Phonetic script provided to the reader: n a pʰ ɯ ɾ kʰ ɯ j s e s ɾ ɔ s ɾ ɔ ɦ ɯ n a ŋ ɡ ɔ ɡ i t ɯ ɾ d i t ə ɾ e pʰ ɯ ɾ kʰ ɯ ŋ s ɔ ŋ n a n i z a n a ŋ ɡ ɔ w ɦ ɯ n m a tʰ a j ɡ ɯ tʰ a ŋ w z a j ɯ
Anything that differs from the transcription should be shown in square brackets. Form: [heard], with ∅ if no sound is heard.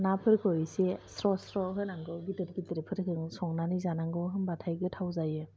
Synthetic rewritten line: n a pʰ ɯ ɾ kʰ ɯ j s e s ɾ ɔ s ɾ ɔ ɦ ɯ n a ŋ ɡ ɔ ɡ i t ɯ ɾ [ɡ] i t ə ɾ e pʰ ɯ ɾ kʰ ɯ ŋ s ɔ ŋ n a n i z a n a ŋ ɡ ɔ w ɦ ɯ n [b] a tʰ a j ɡ ɯ tʰ a [∅] w z a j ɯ